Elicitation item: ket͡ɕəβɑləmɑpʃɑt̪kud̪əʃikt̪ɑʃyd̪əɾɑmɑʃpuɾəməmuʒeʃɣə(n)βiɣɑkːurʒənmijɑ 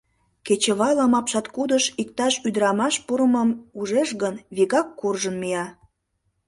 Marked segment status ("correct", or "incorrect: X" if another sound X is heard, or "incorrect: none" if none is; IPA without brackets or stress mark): correct